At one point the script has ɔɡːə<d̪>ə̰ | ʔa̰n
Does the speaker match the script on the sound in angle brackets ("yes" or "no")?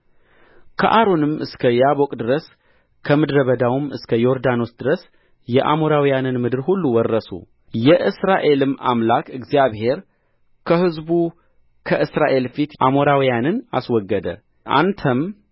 yes